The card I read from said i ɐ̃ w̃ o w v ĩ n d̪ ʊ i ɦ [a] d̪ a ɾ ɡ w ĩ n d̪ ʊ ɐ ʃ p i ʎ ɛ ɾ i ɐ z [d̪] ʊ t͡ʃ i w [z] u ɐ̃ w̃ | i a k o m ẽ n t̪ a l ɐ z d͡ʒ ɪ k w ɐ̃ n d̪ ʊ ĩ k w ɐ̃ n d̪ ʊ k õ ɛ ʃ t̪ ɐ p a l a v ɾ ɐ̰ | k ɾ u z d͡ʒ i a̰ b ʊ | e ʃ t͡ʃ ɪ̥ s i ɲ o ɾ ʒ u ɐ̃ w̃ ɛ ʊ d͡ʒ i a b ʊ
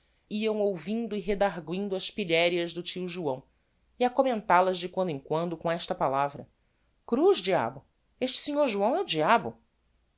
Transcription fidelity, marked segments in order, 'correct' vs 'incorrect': incorrect: e, correct, incorrect: ʒ

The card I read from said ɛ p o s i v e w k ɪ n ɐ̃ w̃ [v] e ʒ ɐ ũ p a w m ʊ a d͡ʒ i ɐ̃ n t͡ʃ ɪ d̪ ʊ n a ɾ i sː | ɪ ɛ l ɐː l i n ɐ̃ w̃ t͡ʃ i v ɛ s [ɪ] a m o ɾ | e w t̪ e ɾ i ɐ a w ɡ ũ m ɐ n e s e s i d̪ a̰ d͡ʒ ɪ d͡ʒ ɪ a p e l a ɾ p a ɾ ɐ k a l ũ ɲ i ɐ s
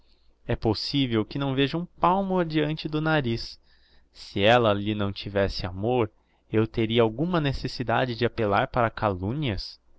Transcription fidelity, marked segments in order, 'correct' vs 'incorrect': correct, correct

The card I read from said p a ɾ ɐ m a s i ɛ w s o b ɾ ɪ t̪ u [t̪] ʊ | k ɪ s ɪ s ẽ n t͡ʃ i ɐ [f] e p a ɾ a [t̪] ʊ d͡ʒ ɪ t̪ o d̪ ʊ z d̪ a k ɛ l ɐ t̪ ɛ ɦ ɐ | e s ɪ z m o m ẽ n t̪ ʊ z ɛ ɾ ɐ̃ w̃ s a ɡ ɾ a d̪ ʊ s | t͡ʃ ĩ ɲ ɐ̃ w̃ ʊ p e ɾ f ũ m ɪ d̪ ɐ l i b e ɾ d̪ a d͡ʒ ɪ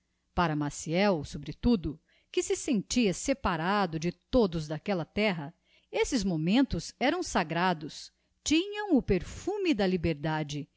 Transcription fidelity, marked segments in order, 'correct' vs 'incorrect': incorrect: d̪, incorrect: s, incorrect: d̪

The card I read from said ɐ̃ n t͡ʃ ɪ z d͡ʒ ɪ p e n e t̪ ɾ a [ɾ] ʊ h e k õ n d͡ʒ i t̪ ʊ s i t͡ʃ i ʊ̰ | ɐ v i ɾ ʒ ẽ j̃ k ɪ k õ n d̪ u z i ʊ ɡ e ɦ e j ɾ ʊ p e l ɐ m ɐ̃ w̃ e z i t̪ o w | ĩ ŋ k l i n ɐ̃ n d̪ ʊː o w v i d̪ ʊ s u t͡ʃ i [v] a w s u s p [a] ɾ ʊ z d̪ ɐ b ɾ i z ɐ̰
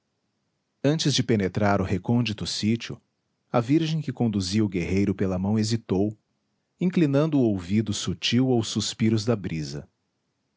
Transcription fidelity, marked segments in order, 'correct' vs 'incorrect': correct, incorrect: w, incorrect: i

